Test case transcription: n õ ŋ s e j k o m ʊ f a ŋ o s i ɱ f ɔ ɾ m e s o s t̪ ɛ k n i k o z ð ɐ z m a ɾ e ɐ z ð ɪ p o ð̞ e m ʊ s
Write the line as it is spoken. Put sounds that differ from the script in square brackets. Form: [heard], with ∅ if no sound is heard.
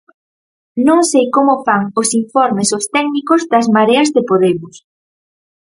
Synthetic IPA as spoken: n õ ŋ s e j k o m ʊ f a ŋ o s i ɱ f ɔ ɾ m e s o s t̪ ɛ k n i k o z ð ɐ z m a ɾ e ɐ z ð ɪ p o ð̞ e m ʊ s